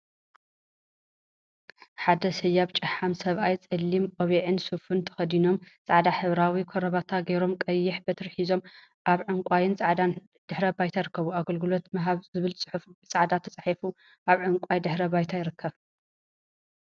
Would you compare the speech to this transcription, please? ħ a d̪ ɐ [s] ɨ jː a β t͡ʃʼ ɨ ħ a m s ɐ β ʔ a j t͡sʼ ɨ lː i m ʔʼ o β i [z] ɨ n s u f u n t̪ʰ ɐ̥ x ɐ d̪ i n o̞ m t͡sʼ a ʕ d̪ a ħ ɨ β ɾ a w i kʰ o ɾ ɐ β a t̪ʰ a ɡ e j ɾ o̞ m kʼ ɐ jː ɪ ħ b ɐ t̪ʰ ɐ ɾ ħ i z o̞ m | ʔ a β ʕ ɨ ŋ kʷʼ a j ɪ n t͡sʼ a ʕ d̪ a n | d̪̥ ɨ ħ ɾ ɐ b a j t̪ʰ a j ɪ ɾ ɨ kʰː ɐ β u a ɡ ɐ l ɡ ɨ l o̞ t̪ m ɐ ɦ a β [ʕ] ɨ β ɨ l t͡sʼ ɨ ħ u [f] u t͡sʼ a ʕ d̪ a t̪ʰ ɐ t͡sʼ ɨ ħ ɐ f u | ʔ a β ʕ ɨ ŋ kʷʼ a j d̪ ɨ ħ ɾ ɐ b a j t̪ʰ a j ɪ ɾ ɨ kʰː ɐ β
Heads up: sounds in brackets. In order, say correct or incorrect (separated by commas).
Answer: correct, incorrect, incorrect, correct